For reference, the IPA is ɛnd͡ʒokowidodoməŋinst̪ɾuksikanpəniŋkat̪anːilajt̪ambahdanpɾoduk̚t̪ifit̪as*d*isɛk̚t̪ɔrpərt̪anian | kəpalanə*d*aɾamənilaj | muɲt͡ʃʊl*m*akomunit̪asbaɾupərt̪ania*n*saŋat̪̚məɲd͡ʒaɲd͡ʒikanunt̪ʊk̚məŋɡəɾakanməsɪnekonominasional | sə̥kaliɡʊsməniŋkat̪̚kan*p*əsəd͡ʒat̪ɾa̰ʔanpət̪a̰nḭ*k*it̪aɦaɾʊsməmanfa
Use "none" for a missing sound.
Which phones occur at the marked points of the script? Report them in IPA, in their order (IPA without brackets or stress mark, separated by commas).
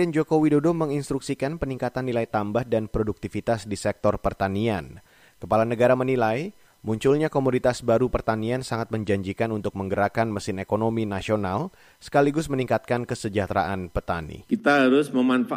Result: d, ɡ, ɲ, n, k, k